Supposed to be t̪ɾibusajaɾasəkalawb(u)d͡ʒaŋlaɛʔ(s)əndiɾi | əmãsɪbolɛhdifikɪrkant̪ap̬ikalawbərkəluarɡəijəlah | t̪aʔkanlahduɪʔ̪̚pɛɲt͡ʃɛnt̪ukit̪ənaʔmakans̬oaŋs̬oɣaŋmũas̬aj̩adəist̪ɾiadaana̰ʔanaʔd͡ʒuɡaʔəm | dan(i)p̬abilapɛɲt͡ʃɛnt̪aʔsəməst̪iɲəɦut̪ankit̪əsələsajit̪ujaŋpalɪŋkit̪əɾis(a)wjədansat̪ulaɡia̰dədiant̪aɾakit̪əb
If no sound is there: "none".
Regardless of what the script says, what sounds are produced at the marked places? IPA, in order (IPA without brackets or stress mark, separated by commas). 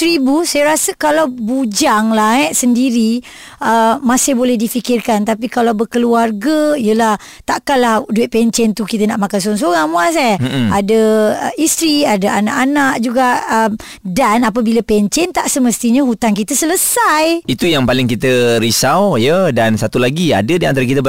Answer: u, s, a, a